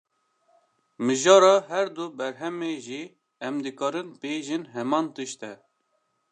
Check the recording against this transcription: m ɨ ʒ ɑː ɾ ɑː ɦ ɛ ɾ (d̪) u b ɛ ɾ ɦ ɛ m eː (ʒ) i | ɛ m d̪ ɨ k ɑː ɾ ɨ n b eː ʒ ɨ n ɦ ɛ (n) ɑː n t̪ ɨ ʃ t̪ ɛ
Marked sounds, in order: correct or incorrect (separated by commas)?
correct, correct, incorrect